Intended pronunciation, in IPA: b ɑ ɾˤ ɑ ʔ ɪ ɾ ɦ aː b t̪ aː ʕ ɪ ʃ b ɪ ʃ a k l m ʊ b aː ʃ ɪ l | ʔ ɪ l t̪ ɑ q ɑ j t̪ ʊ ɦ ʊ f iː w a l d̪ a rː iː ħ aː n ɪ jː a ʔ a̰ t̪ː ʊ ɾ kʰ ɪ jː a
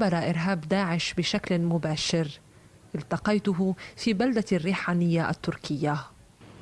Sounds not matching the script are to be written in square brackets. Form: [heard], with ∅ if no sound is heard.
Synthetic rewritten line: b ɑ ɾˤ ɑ ʔ ɪ ɾ ɦ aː b [d̪] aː ʕ ɪ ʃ b ɪ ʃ a k l m ʊ b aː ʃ ɪ [ɾ] | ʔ ɪ l t̪ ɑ q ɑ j t̪ ʊ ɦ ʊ f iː [b] a l d̪ a rː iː ħ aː n ɪ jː a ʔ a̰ t̪ː ʊ ɾ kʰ ɪ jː a